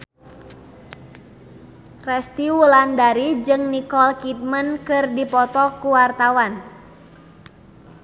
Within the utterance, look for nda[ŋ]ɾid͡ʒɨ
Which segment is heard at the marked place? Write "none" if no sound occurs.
none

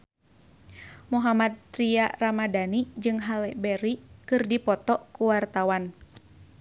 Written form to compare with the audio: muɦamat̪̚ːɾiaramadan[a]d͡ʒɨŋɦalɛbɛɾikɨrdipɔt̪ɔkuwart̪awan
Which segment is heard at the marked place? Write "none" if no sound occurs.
i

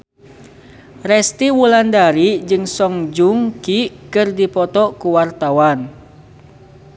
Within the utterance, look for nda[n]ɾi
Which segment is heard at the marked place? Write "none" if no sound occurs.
none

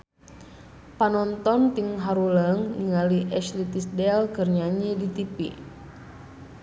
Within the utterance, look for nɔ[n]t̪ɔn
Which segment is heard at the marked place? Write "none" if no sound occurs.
n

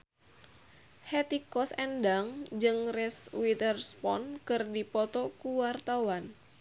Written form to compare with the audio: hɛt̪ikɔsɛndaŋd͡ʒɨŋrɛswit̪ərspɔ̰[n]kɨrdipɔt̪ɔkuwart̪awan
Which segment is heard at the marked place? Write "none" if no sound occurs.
n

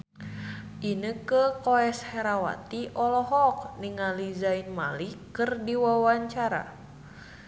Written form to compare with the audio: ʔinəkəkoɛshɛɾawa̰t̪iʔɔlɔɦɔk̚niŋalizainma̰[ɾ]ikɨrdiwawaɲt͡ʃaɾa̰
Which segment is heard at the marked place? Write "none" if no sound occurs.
l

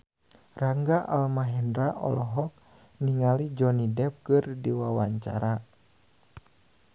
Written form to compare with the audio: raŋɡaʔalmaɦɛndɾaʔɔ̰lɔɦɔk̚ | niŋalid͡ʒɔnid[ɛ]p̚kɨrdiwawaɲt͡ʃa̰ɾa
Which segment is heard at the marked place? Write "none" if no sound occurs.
ɛ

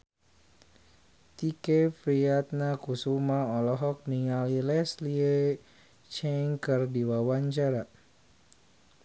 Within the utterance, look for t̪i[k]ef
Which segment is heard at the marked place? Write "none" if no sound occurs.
k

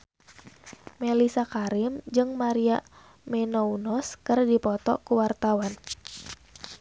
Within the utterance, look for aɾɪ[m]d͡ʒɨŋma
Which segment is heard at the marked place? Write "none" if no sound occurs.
m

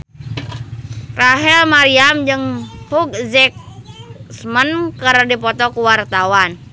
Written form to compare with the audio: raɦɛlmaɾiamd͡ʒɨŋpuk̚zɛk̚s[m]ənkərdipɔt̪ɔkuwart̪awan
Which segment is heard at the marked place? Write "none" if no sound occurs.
m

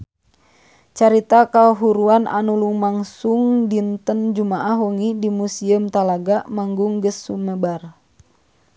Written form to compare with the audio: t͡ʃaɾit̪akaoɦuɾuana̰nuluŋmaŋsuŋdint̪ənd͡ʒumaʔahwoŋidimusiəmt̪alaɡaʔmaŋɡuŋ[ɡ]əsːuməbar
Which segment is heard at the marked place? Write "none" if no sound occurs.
ɡ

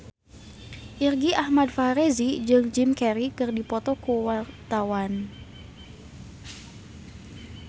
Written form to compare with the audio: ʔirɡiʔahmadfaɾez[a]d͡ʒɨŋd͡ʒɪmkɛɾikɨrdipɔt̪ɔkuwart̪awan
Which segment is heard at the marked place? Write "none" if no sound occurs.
i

